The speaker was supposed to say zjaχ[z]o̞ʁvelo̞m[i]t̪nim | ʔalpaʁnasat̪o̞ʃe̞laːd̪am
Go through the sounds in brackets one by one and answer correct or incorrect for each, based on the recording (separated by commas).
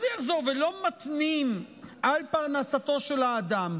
correct, incorrect